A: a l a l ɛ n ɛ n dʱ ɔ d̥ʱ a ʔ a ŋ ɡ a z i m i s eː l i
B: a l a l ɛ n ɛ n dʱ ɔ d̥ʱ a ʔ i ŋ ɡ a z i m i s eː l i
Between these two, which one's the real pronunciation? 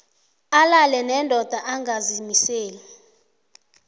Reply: A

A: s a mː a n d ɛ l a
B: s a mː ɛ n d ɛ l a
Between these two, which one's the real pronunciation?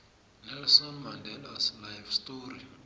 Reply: A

